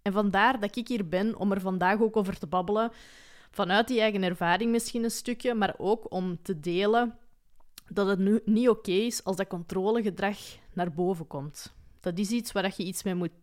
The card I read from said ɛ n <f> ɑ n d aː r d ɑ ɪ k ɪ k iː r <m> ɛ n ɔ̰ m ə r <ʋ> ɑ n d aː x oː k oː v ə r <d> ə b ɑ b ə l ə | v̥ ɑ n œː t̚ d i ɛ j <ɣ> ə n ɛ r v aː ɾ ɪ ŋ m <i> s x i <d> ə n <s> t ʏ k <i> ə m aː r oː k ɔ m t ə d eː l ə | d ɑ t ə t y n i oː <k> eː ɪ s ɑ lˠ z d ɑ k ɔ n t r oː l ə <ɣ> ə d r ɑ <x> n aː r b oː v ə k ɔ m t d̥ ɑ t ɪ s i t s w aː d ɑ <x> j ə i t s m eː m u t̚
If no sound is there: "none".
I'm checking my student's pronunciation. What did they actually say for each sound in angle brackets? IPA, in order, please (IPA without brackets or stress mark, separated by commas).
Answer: v, b, v, t, ɣ, ɪ, n, s, j, k, ɣ, x, x